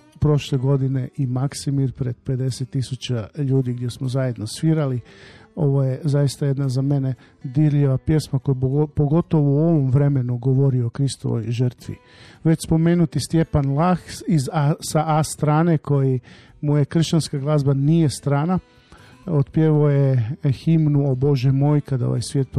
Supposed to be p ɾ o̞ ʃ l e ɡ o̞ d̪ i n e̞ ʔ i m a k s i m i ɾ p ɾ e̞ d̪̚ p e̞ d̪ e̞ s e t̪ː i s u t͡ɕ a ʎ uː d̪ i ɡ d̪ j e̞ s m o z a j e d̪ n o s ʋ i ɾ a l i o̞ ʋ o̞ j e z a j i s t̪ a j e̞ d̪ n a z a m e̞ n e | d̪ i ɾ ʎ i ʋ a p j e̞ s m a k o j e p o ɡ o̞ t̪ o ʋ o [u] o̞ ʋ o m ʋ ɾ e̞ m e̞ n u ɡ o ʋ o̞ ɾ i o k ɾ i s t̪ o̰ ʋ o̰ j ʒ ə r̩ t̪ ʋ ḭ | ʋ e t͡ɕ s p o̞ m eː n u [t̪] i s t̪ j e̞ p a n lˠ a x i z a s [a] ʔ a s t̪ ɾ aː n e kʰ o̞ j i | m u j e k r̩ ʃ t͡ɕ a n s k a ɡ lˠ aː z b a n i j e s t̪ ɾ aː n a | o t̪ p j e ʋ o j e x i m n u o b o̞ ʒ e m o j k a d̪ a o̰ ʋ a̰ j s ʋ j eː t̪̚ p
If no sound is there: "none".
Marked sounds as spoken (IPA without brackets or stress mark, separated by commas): u, t̪, a